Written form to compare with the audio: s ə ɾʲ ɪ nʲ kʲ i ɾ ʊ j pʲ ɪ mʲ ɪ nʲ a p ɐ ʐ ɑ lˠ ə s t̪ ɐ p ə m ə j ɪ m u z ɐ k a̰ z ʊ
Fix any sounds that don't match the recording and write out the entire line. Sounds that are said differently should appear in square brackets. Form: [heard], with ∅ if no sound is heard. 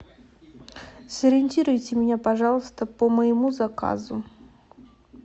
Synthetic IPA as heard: s ə ɾʲ ɪ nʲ [tʲ] i ɾ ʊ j [tʲ] ɪ mʲ ɪ nʲ a p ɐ ʐ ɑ lˠ ə s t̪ [ə] p ə m ə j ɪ m u z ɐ k a̰ z ʊ